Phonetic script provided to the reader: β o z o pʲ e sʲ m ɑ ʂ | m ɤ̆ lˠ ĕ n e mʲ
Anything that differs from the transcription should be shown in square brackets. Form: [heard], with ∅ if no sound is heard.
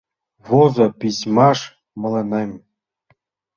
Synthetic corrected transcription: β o z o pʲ [i] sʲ m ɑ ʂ | m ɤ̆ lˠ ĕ n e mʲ